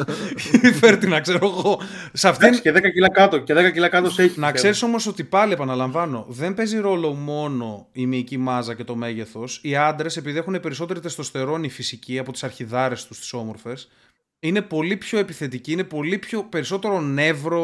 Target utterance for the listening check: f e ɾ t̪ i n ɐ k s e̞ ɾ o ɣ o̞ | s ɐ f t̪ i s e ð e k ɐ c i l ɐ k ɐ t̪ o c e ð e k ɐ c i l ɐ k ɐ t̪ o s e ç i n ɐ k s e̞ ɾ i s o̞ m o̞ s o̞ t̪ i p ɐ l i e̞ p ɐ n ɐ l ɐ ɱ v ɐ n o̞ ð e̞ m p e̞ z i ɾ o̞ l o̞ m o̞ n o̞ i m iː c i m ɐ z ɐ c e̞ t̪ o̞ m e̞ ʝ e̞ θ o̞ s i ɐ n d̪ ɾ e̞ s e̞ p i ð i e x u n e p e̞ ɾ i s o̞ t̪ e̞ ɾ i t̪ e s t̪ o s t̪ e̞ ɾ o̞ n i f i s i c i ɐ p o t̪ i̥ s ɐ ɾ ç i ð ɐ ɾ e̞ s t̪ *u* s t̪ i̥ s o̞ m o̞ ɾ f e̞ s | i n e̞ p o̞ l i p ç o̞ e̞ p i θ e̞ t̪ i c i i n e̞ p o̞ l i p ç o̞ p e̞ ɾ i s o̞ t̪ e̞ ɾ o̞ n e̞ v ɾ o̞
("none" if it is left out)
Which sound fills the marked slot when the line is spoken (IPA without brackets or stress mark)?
u